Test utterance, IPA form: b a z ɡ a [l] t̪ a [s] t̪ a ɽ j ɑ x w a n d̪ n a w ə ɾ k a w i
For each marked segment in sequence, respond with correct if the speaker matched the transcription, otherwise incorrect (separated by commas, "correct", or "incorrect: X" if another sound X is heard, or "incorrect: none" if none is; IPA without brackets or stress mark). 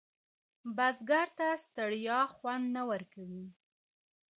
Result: incorrect: ɾ, correct